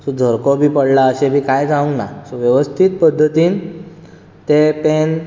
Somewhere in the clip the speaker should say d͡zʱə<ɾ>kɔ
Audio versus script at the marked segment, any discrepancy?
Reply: no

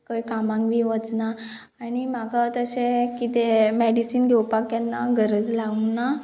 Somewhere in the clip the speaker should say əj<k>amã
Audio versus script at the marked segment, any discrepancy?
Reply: no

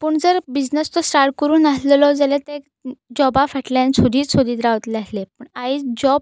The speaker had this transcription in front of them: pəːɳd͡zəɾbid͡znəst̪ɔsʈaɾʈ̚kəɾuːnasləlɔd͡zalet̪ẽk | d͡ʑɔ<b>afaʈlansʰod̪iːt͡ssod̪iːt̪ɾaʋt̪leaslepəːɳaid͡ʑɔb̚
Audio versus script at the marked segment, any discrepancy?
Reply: no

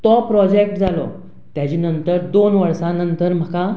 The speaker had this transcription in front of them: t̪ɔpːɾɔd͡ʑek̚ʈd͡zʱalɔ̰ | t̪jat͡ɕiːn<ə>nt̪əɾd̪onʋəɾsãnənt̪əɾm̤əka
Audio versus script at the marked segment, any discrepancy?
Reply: no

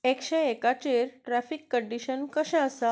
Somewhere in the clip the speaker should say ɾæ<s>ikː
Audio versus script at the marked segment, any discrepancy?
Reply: yes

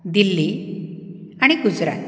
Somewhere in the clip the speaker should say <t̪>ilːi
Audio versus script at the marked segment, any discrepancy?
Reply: yes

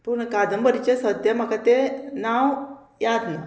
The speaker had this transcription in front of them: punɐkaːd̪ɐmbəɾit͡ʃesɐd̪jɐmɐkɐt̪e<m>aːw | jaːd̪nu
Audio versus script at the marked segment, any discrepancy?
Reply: yes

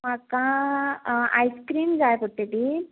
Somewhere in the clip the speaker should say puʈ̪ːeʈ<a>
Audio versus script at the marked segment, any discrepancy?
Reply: yes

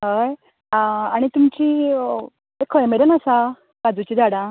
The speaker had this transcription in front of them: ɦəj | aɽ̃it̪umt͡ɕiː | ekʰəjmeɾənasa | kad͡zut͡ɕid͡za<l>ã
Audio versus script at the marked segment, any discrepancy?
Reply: yes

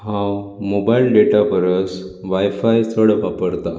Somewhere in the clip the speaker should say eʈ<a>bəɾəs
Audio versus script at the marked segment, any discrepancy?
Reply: no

